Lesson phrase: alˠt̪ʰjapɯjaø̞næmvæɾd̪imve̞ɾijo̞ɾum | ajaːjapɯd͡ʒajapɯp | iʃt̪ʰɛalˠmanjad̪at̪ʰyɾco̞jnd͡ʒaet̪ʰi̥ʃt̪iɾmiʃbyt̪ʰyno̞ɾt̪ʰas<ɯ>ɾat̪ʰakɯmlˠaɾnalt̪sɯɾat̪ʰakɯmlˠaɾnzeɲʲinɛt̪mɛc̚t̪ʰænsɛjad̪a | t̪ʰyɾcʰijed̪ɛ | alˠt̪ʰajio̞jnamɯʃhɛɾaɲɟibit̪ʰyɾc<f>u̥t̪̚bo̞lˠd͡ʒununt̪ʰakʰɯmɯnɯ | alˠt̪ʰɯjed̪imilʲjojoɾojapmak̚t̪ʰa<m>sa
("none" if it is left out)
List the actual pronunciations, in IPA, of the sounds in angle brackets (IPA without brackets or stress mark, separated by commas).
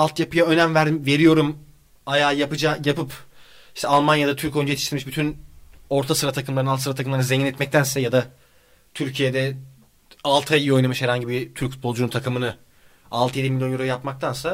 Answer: ɯ, f, n